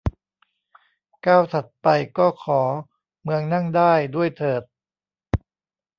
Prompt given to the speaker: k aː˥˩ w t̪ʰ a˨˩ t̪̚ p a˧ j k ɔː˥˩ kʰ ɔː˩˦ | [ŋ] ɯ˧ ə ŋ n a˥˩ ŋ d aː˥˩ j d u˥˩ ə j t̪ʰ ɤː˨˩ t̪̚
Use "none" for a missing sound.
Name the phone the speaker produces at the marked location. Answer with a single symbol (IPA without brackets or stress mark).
m